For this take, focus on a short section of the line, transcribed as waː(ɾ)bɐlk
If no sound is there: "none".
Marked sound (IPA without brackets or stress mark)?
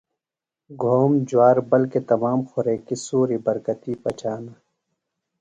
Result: ɾ